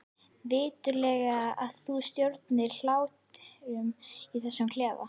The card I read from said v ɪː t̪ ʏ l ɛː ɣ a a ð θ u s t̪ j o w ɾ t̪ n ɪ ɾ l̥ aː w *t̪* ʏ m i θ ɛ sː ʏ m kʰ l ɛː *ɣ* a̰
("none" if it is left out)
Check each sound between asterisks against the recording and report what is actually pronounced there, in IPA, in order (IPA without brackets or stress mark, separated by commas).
t̪, v